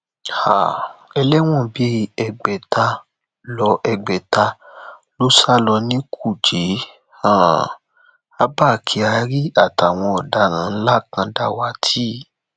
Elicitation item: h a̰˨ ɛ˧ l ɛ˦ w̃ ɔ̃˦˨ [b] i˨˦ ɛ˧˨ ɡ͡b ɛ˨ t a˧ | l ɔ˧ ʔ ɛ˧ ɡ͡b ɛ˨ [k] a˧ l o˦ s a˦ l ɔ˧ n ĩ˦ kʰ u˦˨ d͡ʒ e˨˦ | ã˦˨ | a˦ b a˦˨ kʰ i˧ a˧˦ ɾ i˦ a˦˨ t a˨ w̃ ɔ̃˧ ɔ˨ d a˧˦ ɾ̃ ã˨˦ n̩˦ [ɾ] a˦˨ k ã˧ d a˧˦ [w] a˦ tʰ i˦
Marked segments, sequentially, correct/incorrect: correct, incorrect, incorrect, correct

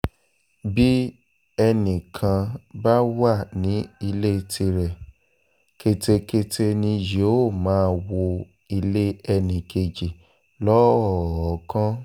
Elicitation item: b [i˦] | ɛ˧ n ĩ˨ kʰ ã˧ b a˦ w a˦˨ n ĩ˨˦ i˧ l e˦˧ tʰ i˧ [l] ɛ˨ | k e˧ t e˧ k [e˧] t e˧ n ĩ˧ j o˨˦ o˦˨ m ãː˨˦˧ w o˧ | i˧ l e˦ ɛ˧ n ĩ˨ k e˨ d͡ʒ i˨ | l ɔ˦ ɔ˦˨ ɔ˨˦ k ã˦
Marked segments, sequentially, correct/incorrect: correct, incorrect, correct

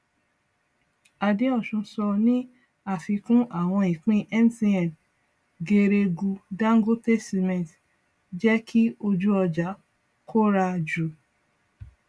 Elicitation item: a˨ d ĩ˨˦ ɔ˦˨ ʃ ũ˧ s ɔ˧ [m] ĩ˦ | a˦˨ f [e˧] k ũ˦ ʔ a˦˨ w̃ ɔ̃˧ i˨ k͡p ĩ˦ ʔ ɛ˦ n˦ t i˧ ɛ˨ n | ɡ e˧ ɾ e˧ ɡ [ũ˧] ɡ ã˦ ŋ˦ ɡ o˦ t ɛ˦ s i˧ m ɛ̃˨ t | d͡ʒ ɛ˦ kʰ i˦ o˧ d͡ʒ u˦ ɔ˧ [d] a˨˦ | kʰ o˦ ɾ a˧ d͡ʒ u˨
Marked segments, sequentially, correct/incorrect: incorrect, incorrect, incorrect, incorrect

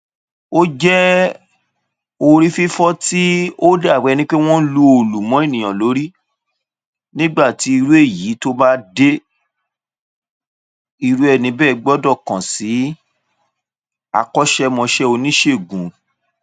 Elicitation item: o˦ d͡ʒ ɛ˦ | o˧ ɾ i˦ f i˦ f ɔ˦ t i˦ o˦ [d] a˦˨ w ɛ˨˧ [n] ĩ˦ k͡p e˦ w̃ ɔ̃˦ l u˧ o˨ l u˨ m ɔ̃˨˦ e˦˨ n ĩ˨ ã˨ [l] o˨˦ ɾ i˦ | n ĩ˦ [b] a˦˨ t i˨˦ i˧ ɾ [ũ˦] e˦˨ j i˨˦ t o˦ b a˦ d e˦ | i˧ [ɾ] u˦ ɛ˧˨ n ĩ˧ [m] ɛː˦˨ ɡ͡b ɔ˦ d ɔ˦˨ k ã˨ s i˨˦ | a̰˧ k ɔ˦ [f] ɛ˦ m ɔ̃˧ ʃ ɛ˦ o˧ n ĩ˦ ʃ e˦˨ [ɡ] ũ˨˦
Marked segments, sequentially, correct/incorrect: correct, correct, correct, incorrect, incorrect, correct, incorrect, incorrect, correct

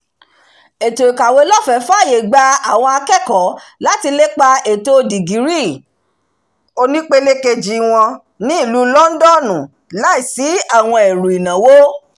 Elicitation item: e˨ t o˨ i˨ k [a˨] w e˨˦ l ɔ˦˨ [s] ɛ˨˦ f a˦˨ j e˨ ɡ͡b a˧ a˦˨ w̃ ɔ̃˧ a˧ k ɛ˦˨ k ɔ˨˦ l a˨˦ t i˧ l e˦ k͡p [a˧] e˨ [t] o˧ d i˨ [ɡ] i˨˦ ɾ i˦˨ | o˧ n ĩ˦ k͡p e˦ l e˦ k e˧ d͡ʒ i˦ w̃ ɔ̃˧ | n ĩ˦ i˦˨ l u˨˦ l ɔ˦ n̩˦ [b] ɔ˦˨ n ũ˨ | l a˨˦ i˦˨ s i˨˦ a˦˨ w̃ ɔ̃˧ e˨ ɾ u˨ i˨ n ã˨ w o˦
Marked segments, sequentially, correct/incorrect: correct, incorrect, correct, correct, correct, incorrect

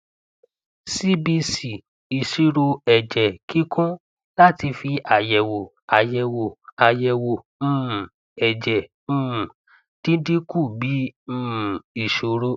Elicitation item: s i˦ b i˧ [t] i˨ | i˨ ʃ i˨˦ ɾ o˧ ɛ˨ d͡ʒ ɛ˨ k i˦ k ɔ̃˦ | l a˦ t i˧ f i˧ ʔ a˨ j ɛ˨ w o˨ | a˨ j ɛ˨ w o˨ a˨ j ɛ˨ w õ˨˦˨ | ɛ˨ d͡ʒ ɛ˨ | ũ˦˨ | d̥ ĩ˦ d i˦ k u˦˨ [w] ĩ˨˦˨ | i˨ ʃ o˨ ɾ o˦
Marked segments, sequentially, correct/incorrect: incorrect, incorrect

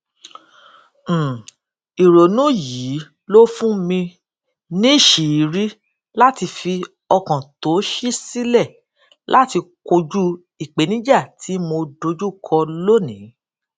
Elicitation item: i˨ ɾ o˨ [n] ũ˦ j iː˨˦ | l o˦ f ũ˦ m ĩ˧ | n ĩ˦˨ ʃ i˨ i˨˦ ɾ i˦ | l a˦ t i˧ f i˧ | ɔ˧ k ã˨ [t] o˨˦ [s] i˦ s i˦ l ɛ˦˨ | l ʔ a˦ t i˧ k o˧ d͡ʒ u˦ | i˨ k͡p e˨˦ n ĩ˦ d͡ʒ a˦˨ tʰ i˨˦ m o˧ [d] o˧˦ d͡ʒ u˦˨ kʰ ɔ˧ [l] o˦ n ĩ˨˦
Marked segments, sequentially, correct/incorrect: correct, correct, incorrect, correct, correct

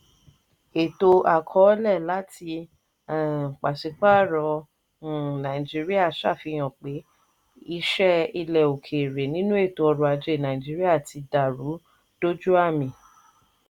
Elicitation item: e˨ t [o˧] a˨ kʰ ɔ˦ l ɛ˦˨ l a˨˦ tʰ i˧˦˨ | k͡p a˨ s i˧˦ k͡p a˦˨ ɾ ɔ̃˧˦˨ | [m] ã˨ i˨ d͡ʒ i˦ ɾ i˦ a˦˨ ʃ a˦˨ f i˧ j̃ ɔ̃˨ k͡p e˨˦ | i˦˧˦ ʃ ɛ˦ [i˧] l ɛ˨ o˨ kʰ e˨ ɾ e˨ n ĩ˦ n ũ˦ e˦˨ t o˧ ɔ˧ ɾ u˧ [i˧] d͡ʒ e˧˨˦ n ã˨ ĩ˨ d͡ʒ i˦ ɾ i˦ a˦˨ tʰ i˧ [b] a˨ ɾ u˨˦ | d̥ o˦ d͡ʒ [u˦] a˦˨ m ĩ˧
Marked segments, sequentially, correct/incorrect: correct, incorrect, correct, incorrect, incorrect, correct

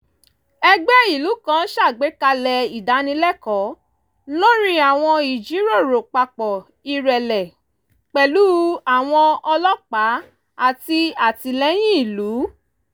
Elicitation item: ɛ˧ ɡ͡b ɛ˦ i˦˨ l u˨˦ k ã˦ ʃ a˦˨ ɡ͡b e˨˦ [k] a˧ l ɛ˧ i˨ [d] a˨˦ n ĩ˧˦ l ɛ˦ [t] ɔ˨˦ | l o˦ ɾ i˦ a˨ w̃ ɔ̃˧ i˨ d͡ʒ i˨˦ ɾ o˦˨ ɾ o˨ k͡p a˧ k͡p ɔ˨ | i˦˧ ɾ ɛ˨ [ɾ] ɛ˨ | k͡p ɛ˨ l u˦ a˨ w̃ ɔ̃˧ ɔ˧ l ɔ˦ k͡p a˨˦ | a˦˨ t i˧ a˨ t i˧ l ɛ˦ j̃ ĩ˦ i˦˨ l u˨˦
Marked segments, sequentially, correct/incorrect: correct, correct, incorrect, incorrect

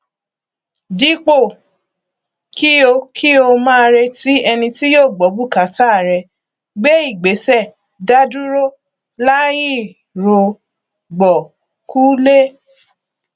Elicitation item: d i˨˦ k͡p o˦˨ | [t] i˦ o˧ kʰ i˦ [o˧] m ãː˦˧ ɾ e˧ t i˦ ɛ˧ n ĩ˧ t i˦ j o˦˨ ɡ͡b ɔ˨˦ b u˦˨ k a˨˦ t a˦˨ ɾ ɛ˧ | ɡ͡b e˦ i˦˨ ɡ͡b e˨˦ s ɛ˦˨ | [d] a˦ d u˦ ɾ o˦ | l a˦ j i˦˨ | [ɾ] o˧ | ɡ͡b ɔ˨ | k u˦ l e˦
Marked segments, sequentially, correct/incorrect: incorrect, correct, correct, correct

